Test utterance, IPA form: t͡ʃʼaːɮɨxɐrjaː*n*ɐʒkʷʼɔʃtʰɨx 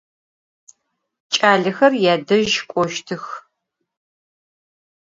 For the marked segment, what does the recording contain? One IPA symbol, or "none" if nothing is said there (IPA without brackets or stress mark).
d